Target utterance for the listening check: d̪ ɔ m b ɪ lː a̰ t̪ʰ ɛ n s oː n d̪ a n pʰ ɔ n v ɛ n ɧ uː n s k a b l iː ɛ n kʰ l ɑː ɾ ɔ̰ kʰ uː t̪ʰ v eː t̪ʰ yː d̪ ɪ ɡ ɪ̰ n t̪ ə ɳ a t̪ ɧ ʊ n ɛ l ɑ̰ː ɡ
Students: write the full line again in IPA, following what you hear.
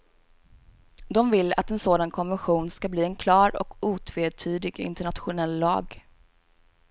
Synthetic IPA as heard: d̪ ɔ m v ɪ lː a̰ t̪ ɛ n s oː d̪ a n kʰ ɔ n v ɛ n ɧ uː n s k a b l iː ɛ n kʰ l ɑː ɾ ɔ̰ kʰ uː t̪ʰ v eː t̪ʰ yː d̪ ɪ ɡ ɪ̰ n t̪ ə ɳ a t̪ ɧ ʊ n ɛ lː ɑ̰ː ɡ